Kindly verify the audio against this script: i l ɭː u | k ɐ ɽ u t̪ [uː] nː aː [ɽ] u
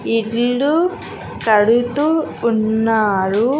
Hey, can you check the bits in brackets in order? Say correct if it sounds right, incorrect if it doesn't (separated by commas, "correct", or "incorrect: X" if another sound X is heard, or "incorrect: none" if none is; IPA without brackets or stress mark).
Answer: correct, incorrect: ɾ